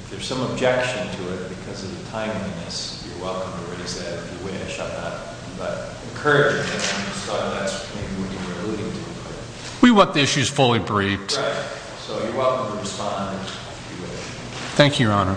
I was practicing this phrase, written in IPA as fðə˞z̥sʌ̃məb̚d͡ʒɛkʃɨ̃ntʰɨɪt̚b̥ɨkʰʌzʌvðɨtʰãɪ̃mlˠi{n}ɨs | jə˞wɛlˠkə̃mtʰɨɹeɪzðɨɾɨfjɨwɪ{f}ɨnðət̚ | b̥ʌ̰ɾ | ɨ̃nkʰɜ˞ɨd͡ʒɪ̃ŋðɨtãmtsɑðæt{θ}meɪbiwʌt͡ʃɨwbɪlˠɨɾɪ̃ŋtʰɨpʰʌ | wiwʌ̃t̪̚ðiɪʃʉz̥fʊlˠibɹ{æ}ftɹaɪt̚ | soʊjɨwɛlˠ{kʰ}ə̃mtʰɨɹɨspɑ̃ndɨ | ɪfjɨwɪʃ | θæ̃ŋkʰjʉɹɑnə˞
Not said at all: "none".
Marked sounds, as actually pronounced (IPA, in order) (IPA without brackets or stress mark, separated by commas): n, ʃ, s, i, k